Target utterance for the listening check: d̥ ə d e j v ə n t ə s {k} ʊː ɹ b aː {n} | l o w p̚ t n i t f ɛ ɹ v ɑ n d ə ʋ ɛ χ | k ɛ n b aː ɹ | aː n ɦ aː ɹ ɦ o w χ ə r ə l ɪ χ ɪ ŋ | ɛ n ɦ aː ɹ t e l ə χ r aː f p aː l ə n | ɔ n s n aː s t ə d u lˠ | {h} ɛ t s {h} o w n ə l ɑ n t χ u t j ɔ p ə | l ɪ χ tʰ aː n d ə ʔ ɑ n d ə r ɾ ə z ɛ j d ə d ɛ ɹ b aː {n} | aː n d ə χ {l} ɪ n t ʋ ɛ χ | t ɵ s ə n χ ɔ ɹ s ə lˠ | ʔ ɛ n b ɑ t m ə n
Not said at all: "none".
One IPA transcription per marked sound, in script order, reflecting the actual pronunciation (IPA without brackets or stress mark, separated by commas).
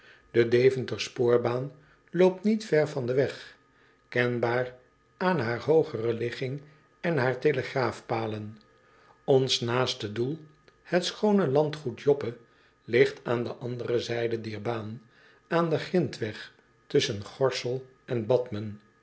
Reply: p, n, h, χ, n, r